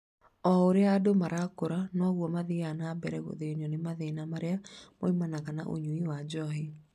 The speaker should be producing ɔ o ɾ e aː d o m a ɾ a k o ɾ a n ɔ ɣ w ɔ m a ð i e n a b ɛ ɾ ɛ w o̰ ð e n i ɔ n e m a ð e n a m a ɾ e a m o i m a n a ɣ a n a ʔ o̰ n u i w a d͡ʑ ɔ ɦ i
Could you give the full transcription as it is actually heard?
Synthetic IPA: ɔ o ɾ e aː d o m a ɾ a k o ɾ a n ɔ ɣ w ɔ m a ð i a n a b ɛ ɾ ɛ ɣ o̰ ð e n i ɔ n e m a ð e n a m a ɾ e a m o i m a n a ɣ a n a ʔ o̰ ɲ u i w a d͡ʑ ɔ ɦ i